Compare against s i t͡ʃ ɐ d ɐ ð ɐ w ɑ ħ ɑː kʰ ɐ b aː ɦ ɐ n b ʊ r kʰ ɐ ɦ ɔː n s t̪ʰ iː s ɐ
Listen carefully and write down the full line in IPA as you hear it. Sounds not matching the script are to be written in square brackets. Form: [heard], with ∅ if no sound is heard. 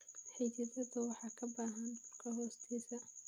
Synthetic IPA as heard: [ħ] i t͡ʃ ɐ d ɐ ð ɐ w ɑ ħ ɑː kʰ ɐ b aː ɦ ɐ n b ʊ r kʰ ɐ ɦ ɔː [∅] s t̪ʰ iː s ɐ